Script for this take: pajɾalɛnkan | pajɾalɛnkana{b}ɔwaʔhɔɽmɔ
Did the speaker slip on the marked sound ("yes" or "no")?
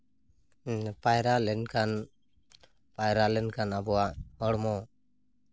no